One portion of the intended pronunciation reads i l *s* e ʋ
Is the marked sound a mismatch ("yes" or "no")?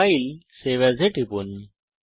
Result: no